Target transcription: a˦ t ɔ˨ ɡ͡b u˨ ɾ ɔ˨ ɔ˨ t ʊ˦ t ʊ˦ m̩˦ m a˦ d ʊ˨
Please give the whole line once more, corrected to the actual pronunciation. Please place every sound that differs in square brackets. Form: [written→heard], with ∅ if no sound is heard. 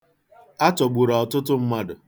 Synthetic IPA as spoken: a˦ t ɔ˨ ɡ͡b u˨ ɾ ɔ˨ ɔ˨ t ʊ˦ t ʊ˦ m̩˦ m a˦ d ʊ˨